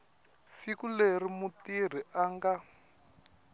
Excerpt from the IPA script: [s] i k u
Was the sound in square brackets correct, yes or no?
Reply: yes